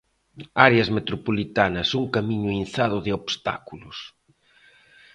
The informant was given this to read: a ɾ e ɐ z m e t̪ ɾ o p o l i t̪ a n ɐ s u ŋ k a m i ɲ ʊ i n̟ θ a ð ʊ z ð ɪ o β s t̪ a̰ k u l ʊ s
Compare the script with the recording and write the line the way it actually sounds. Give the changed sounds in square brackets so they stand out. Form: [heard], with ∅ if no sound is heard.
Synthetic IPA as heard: a ɾ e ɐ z m e t̪ ɾ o p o l i t̪ a n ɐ s u ŋ k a m i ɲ ʊ i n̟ θ a ð ʊ [∅] ð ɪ o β s t̪ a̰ k u l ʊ s

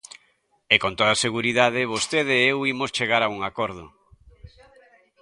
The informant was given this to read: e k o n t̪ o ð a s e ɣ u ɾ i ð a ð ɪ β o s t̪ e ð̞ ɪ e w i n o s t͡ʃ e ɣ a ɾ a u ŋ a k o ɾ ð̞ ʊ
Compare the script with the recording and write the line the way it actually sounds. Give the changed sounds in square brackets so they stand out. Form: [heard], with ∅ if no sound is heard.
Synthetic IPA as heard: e k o n t̪ o ð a s e ɣ u ɾ i ð a ð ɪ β o s t̪ e ð̞ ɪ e w i [m] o s t͡ʃ e ɣ a ɾ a u ŋ a k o ɾ ð̞ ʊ

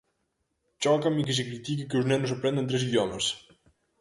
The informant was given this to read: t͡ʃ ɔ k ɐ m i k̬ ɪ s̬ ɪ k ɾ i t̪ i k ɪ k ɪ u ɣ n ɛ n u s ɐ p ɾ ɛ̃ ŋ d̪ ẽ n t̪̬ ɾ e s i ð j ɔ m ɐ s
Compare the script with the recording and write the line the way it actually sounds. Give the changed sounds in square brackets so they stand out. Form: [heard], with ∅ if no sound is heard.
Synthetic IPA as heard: t͡ʃ ɔ k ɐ m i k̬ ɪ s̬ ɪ k ɾ i t̪ i k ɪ k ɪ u [z] n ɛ n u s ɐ p ɾ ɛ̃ [n] d̪ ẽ n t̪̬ ɾ e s i ð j ɔ m ɐ s

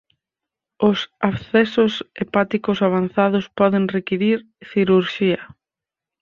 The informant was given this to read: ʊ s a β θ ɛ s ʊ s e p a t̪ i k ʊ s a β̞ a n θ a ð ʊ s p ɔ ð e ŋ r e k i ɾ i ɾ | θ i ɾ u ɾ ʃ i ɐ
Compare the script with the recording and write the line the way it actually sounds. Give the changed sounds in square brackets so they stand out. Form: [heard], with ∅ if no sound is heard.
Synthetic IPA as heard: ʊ s a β θ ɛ s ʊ s e p a t̪ i k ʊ s a β̞ a n θ a ð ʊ s p ɔ ð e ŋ r e k i ɾ i ɾ | θ i ɾ u ɾ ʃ i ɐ

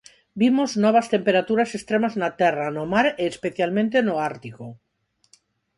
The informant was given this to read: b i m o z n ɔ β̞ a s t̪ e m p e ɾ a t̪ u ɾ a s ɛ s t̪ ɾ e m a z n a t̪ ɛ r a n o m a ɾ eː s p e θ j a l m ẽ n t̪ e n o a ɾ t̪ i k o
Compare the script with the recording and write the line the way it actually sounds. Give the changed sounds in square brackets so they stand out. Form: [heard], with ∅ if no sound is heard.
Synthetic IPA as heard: b i m o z n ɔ β̞ a s t̪ e m p e ɾ a t̪ u ɾ a s [e] s t̪ ɾ e m a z n a t̪ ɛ r a n o m a ɾ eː s p e θ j a l m ẽ n t̪ e n o a ɾ t̪ i k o

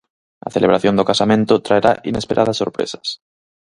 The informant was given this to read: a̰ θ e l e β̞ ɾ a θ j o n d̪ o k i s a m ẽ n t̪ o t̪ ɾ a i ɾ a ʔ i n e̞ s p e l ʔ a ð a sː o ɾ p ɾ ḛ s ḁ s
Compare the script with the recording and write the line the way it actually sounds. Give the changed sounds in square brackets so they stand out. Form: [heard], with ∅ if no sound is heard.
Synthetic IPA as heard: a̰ θ e l e β̞ ɾ a θ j o n d̪ o k [a] s a m ẽ n t̪ o t̪ ɾ a [e] ɾ a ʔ i n e̞ s p e [ɾ] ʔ a ð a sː o ɾ p ɾ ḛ s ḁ s

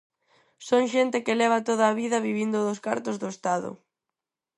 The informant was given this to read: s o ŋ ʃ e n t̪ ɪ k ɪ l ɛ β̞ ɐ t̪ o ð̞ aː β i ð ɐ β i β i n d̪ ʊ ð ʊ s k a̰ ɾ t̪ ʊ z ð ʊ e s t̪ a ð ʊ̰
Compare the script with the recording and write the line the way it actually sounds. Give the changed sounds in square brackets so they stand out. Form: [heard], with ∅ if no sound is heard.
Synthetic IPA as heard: s o ŋ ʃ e n t̪ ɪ k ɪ l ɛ β̞ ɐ t̪ o ð̞ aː β i ð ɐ β i β i n d̪ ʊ ð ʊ s k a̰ ɾ t̪ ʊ z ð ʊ e s t̪ a ð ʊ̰

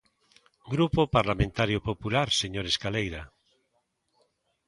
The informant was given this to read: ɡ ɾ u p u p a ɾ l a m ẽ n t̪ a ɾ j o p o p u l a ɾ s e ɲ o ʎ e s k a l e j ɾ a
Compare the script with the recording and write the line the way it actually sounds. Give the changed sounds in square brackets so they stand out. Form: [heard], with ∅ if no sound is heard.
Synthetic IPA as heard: ɡ ɾ u p [o] p a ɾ l a m ẽ n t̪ a ɾ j o p o p u l a ɾ s e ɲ o [ɾ] e s k a l e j ɾ a

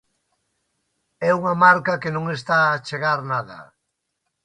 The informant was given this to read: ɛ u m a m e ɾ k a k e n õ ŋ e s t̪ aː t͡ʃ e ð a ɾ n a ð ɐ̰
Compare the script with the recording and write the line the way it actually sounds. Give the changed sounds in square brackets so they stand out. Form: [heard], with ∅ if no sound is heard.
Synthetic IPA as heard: ɛ u [ŋ] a m [a] ɾ k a k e n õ ŋ e s t̪ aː t͡ʃ e [ɣ] a ɾ n a ð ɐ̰

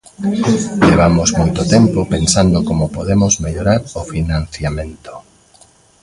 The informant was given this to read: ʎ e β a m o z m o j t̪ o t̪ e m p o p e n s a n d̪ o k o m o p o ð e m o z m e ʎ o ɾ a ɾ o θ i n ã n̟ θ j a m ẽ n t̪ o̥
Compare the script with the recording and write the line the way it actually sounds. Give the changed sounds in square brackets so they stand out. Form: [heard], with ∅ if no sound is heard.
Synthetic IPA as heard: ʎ e β a m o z m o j t̪ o t̪ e m p o p e n s a n d̪ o k o m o p o ð e m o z m e ʎ o ɾ a ɾ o [f] i n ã n̟ θ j a m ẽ n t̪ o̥

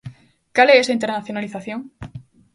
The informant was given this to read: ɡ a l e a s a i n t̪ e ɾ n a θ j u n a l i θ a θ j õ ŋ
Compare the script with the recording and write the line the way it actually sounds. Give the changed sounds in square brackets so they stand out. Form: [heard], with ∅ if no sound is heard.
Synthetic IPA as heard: [k] a l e [e] s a i n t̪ e ɾ n a θ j [o] n a l i θ a θ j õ ŋ

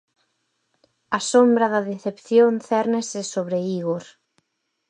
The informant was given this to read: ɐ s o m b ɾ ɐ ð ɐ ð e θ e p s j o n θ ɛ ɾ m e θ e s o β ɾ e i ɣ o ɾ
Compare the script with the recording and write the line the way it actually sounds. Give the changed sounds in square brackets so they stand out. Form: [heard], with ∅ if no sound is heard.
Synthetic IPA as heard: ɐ s o m b ɾ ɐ ð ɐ ð e θ e p [θ] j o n θ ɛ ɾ [n] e [s] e s o β ɾ e i ɣ o ɾ

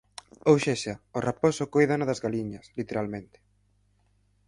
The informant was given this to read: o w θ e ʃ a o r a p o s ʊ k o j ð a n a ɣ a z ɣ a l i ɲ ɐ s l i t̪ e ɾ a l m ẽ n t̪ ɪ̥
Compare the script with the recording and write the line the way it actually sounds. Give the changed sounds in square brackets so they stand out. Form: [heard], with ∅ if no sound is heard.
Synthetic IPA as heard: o w [ʃ] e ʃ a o r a p o s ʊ k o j ð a n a [ð] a z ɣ a l i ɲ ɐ s l i t̪ e ɾ a l m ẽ n t̪ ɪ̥

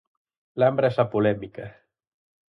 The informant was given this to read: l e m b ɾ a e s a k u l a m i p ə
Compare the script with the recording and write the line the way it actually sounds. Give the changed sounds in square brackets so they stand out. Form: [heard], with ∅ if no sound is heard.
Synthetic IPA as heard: l [a] m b ɾ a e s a [p] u l [ɛ] m i [k] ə

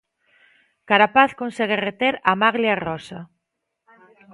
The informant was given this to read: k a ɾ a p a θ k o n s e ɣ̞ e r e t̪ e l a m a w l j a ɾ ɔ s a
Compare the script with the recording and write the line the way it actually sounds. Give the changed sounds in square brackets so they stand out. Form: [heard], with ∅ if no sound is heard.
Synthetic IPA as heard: k a ɾ a p a θ k o n s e ɣ̞ e r e t̪ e [ɾ] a m a [ɣ] l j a [r] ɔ s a

